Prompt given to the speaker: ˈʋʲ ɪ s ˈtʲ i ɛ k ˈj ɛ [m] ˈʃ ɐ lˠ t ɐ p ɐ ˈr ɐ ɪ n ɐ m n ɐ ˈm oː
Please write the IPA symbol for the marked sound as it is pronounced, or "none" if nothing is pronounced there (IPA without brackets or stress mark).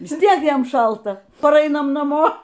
m